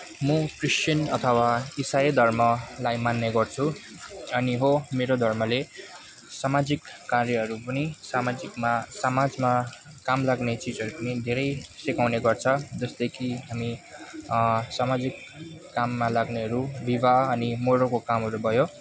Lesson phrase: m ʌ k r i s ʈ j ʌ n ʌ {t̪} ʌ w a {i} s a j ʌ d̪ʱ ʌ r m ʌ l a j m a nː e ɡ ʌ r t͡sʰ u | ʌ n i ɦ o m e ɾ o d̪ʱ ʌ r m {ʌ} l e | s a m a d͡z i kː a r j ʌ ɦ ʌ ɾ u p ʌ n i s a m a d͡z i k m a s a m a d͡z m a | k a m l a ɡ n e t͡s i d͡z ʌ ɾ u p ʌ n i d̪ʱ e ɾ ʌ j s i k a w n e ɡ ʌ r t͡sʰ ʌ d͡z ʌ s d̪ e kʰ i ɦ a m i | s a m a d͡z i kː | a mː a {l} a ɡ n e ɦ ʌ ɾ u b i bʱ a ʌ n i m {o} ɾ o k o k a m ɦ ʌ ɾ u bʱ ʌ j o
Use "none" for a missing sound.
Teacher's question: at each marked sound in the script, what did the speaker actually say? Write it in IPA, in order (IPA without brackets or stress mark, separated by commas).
t̪ʰ, i, ʌ, l, o